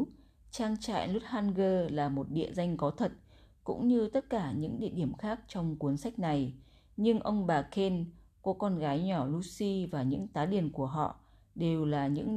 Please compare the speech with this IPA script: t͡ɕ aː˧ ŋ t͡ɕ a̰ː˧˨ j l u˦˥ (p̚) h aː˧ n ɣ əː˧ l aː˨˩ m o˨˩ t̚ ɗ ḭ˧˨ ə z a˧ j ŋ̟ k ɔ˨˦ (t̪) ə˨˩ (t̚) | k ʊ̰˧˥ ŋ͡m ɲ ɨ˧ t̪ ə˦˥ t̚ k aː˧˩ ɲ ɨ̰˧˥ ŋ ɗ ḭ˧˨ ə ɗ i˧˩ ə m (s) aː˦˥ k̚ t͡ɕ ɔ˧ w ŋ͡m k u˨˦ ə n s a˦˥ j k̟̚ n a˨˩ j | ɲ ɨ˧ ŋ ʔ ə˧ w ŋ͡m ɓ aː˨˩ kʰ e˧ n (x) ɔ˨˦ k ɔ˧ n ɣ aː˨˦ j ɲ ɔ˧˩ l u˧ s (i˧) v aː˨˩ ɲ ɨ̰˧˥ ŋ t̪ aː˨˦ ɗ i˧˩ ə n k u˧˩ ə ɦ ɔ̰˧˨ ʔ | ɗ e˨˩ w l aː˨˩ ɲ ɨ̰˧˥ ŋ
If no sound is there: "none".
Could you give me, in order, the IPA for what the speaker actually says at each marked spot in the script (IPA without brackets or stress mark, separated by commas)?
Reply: t̚, t̪ʰ, t̚, x, k, i˧